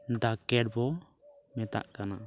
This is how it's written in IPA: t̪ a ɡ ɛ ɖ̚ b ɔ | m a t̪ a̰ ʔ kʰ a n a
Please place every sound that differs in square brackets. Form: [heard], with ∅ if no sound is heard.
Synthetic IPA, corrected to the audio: [d̪] a [k] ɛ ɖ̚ b ɔ | m [ɛ] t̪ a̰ ʔ [k] a n a